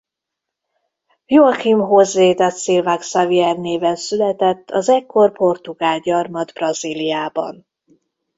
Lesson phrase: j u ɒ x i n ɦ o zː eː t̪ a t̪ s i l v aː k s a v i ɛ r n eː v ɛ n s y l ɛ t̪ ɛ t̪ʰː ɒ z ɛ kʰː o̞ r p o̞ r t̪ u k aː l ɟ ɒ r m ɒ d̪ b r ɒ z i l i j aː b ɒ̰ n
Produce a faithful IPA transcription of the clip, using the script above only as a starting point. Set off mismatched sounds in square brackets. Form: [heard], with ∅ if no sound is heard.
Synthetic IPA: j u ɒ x i [m] ɦ o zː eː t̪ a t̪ s i l v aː k s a v i ɛ r n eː v ɛ n s y l ɛ t̪ ɛ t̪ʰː ɒ z ɛ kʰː o̞ r p o̞ r t̪ u [ɡ] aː l ɟ ɒ r m ɒ d̪ b r ɒ z i l i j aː b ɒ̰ n